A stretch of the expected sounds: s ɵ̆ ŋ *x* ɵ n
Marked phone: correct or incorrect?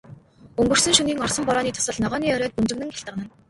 incorrect